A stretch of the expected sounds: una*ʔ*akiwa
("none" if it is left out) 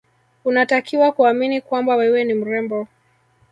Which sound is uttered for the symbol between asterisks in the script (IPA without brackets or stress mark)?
t